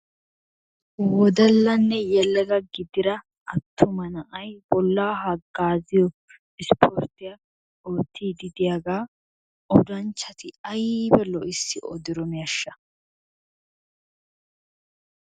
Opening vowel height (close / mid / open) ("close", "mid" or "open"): mid